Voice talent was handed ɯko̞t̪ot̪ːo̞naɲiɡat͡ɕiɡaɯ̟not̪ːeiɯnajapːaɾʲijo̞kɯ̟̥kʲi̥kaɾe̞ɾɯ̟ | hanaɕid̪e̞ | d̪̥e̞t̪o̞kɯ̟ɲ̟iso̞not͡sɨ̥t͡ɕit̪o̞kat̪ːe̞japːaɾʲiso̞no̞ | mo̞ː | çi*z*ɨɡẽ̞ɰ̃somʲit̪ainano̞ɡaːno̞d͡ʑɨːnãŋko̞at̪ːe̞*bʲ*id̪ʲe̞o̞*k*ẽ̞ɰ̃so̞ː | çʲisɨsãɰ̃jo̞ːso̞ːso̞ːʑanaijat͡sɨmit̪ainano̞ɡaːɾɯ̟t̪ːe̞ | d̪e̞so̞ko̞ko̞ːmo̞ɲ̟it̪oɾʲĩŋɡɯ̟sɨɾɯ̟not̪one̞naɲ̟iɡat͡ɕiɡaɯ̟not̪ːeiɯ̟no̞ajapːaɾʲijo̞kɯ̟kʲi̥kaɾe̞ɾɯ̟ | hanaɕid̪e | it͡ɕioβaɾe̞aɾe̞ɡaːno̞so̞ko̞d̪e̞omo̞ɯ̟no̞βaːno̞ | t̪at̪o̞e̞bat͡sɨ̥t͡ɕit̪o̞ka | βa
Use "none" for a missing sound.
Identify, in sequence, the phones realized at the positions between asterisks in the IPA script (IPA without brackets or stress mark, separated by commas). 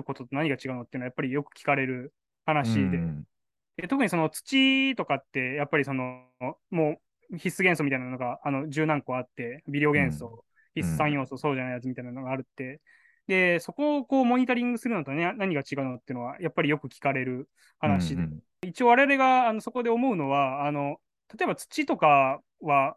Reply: s, bʲ, ɡ